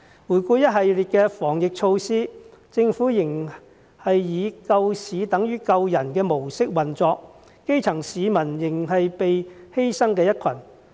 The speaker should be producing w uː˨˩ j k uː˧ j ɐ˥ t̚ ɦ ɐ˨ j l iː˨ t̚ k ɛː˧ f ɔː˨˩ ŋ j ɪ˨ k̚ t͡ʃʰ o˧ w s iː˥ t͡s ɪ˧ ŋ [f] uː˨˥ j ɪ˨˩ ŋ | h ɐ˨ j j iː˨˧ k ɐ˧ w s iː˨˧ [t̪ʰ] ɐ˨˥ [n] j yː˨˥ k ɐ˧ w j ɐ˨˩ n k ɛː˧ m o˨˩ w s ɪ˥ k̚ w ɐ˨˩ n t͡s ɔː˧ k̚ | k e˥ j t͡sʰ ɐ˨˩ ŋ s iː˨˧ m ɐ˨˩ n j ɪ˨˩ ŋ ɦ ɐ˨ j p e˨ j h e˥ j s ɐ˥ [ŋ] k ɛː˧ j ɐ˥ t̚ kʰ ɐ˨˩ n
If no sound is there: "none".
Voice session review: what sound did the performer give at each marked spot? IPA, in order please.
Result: f, t̪, ŋ, ŋ

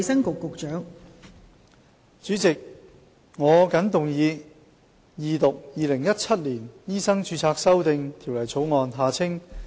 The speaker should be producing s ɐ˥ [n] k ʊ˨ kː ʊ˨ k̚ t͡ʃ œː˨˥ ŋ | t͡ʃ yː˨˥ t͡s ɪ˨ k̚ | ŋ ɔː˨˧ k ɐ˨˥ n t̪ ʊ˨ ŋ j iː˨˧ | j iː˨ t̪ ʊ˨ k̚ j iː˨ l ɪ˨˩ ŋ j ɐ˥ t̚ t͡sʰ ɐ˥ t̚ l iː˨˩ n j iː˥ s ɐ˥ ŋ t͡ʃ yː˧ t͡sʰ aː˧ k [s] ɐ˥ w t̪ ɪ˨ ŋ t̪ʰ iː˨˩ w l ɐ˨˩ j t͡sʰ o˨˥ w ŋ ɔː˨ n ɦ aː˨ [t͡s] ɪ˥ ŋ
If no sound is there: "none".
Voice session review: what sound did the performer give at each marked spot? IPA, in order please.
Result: ŋ, s, t͡sʰ

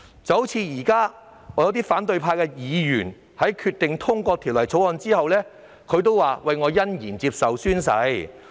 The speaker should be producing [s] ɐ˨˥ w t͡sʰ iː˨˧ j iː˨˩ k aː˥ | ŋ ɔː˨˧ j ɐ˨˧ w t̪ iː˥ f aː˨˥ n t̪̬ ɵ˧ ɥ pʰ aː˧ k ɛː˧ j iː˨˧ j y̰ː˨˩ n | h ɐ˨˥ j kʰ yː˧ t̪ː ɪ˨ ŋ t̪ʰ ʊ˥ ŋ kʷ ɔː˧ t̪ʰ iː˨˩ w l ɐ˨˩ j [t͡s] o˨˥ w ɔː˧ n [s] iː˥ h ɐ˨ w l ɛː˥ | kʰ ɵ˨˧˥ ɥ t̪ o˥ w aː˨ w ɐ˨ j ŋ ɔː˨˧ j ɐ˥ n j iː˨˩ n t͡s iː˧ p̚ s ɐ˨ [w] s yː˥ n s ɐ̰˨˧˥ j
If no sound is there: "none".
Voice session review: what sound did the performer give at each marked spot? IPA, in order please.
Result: t͡s, t͡sʰ, t͡s, w

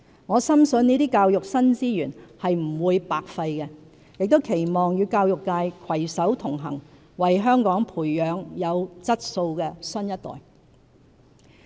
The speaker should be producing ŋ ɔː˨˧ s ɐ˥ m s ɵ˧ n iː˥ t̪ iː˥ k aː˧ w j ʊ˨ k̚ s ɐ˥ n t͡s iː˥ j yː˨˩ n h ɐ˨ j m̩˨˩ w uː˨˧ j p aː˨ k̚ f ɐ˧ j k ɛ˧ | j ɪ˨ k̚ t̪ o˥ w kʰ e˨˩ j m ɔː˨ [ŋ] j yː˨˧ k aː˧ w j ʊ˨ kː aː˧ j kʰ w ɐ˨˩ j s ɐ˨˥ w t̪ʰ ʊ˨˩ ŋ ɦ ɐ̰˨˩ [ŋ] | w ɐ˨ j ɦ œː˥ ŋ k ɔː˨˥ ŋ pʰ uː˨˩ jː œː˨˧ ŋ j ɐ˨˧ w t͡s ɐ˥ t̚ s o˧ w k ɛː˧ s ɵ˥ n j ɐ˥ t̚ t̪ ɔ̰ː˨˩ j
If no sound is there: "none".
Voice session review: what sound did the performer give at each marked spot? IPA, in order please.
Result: ŋ, ŋ

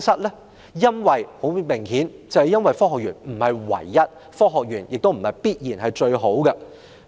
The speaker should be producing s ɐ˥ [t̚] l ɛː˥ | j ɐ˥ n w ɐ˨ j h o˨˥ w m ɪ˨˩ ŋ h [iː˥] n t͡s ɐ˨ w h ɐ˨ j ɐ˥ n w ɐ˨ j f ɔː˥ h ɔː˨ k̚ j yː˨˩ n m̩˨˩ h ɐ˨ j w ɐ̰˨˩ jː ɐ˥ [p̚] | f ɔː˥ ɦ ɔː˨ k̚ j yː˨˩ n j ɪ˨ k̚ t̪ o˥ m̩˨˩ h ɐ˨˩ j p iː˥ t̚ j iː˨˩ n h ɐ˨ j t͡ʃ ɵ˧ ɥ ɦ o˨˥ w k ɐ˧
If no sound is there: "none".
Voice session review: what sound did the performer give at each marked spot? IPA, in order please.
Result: t̚, iː˨˥, t̚

